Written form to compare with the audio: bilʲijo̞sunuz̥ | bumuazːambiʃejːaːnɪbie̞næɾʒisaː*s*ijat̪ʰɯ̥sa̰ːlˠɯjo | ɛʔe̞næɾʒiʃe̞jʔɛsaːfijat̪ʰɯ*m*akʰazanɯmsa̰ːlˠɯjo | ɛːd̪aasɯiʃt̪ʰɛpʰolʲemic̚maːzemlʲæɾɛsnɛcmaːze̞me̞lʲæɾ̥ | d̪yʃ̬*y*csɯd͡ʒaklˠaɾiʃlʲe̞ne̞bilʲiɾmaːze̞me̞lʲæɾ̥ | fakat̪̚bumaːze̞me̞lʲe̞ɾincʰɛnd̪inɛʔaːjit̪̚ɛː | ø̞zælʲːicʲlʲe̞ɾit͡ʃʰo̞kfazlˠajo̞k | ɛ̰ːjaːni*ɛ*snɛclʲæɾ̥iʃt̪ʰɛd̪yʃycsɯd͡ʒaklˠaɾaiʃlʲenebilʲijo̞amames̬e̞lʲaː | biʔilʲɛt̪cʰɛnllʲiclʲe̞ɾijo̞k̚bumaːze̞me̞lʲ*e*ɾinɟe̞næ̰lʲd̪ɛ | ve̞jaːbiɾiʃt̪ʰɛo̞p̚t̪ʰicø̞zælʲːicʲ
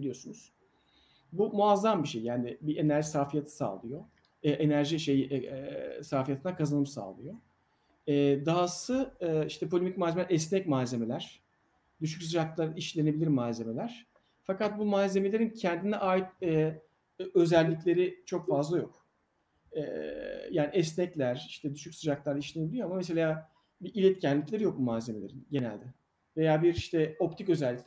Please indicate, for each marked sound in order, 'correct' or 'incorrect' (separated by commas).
incorrect, incorrect, correct, correct, correct